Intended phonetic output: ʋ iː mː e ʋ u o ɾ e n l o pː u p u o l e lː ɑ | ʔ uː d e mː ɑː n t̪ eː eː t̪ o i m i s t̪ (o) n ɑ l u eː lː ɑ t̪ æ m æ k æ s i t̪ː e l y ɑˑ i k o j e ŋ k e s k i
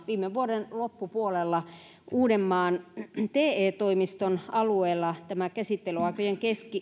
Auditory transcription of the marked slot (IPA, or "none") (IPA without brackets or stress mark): o